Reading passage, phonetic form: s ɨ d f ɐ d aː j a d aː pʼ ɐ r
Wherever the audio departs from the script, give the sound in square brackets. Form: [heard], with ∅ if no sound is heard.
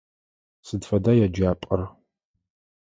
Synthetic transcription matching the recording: s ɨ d f ɐ d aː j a [d͡ʒ] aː pʼ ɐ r